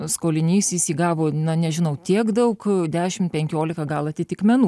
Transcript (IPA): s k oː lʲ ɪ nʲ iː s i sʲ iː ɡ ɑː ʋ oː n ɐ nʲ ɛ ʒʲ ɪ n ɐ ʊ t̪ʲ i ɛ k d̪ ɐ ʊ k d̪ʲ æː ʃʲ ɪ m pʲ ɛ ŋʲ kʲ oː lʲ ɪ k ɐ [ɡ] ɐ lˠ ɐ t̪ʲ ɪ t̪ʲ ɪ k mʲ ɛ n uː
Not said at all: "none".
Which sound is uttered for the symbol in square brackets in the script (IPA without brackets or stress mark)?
ɡ